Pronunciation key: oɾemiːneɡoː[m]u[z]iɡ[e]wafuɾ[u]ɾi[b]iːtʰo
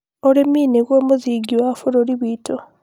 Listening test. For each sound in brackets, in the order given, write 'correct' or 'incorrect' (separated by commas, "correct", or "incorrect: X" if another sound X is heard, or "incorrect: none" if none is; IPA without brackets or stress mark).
correct, correct, incorrect: i, incorrect: o, incorrect: β